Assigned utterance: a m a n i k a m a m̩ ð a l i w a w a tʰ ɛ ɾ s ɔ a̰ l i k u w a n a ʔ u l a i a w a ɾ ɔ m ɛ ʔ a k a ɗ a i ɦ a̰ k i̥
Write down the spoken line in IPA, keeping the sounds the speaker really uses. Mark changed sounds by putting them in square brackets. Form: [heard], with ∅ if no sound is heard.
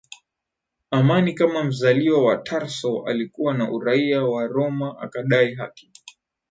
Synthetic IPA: a m a n i k a m a m̩ [z] a l i w a w a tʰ [a] ɾ s ɔ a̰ l i k u w a n a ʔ u [ɾ] a i a w a ɾ ɔ m [a] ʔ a k a ɗ a i ɦ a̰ k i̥